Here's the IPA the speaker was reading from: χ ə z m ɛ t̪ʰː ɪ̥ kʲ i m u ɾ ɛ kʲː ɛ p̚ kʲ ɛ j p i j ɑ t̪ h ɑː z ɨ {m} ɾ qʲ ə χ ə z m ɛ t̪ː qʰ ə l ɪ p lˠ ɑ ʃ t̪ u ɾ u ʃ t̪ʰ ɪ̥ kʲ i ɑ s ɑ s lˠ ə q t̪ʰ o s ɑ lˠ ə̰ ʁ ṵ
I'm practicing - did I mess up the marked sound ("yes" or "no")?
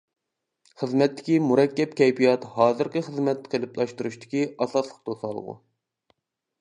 yes